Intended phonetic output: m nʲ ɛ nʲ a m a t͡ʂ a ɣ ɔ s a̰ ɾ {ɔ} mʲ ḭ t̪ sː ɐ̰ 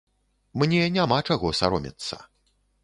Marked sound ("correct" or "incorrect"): correct